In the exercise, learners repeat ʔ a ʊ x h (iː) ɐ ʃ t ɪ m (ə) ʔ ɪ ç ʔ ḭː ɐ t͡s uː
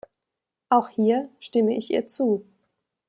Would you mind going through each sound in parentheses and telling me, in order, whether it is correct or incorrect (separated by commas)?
correct, correct